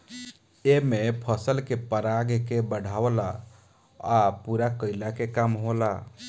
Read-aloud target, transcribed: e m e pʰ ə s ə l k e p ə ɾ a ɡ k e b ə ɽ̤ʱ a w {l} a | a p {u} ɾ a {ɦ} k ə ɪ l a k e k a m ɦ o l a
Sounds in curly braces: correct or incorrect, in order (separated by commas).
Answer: correct, correct, incorrect